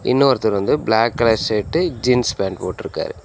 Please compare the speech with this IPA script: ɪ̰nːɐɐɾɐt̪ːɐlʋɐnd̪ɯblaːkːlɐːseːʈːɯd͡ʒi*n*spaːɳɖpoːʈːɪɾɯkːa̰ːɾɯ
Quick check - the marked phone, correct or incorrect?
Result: correct